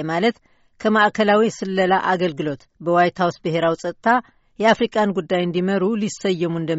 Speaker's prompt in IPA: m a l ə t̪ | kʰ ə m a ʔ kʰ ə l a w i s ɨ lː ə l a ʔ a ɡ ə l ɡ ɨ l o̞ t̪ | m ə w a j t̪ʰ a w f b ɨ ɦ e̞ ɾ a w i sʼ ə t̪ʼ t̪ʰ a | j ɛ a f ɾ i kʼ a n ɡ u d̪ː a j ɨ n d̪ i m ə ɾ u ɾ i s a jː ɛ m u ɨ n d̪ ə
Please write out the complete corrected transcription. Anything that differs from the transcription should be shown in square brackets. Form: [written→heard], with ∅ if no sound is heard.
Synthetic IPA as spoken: m a l ə t̪ | kʰ ə m a ʔ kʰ ə l a w i s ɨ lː ə l a ʔ a ɡ ə l ɡ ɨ l o̞ t̪ | [m→b] ə w a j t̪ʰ a w [f→s] b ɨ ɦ e̞ ɾ a w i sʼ ə t̪ʼ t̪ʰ a | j ɛ a f ɾ i kʼ a n ɡ u d̪ː a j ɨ n d̪ i m ə ɾ u [ɾ→l] i s [a→ə] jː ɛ m u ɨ n d̪ ə